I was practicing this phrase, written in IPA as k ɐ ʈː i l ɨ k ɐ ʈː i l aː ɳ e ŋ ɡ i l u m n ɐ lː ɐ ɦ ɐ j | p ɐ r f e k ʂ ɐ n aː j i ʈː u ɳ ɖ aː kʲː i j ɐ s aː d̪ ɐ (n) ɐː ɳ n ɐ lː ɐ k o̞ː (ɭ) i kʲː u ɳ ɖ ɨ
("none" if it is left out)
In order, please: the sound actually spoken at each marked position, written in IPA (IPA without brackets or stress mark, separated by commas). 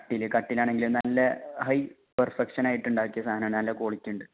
n, ɭ